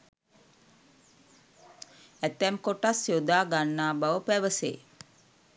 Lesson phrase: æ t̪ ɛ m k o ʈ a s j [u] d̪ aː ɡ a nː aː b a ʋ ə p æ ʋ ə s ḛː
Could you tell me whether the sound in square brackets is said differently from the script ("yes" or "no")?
yes